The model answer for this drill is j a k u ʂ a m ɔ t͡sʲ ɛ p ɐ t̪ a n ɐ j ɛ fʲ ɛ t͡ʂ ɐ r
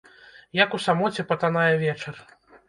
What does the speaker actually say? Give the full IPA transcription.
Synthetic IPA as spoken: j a k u s a m ɔ t͡sʲ ɛ p ɐ t̪ a n a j ɛ vʲ ɛ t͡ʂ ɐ r